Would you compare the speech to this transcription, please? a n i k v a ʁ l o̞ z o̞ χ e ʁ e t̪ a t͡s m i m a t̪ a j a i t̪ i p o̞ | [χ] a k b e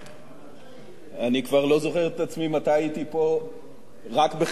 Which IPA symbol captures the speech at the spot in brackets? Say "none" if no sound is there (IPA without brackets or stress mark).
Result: ʁ